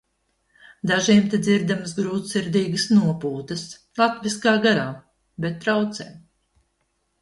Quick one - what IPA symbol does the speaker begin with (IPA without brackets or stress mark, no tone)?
d̪